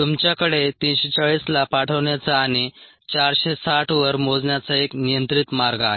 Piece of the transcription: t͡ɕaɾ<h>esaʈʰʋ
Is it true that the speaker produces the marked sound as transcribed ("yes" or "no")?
no